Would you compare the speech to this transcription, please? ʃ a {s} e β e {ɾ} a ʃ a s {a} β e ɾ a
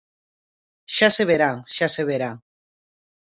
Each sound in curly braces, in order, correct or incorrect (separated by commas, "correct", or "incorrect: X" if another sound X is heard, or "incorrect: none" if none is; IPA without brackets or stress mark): correct, correct, incorrect: e